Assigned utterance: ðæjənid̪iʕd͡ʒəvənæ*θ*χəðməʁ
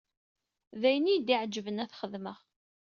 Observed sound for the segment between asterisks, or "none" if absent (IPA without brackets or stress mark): θ